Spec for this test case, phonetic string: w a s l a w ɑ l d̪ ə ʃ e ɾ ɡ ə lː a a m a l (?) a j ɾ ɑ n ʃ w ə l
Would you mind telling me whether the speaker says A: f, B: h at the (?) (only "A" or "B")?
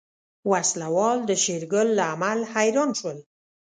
B